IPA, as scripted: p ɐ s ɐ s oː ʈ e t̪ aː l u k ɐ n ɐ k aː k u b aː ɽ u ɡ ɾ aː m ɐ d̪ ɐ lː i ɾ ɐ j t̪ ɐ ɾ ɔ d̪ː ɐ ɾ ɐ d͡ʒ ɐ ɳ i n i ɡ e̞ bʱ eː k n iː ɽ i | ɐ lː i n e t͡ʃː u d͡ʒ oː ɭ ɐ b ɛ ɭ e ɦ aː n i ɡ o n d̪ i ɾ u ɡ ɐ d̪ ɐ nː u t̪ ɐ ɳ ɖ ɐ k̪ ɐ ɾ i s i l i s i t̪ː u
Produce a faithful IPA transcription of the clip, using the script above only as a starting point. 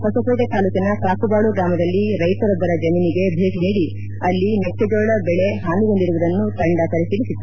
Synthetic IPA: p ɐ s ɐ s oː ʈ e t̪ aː l u k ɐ n ɐ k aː k u b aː ɭ u ɡ ɾ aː m ɐ d̪ ɐ lː i ɾ ɐ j t̪ ɐ ɾ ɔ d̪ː ɐ ɾ ɐ d͡ʒ ɐ m i n i ɡ e̞ bʱ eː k n iː ɽ i | ɐ lː i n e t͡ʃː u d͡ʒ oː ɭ ɐ b ɛ ɭ e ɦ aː n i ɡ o n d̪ i ɾ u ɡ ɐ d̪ ɐ nː u t̪ ɐ ɳ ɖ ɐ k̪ ɐ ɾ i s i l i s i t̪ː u